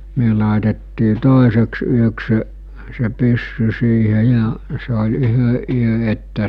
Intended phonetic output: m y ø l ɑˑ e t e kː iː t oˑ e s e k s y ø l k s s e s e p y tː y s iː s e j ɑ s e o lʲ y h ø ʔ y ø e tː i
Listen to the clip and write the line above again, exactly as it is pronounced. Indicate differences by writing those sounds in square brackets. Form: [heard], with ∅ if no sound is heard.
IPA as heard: m y ø l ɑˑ e t e [tː] iː t oˑ e s e k s y ø [∅] k s s e s e p y [sː] y s iː [h] e j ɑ s e o lʲ y h ø ʔ y ø e tː [æ]